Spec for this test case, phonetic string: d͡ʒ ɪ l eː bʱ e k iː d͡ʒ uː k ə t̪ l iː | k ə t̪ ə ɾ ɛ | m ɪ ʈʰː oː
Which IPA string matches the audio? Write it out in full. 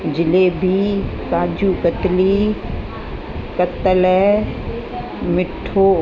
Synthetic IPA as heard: d͡ʒ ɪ l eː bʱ i k aː d͡ʒ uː k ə t̪ l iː | k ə t̪ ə l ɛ | m ɪ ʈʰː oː